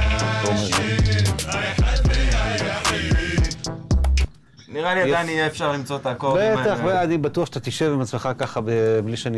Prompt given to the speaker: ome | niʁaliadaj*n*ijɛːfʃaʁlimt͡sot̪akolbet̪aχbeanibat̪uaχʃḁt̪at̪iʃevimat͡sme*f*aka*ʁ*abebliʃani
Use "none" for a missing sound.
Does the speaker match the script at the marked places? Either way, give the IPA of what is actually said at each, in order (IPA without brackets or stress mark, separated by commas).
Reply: n, χ, χ